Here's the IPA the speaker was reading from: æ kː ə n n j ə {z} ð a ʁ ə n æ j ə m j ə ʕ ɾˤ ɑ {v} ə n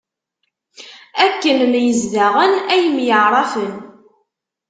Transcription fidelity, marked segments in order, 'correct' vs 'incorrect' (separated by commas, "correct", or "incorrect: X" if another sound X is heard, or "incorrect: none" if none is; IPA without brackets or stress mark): correct, incorrect: f